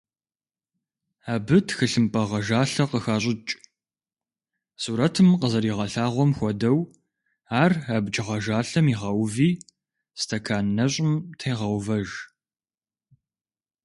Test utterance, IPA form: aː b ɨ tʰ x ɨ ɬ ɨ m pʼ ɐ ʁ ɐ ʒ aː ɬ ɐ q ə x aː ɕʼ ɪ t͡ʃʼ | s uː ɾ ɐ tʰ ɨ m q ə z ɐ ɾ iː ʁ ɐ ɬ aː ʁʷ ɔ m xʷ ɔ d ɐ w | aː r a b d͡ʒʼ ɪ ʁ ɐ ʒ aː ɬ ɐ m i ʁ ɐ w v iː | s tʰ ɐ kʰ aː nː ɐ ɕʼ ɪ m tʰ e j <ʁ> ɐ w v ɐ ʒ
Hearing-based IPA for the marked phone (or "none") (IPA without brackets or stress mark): ʁ